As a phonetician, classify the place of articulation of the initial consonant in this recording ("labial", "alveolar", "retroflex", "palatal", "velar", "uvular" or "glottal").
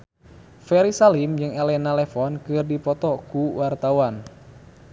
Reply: labial